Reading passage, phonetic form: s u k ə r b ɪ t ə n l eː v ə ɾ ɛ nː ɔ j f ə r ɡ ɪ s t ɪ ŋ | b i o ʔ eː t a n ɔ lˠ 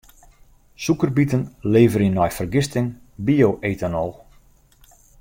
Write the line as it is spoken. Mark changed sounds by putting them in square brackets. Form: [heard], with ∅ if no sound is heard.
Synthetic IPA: s u k ə r b [i] t ə n l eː v ə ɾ [i] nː ɔ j f ə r ɡ ɪ s t ɪ ŋ | b i o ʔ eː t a n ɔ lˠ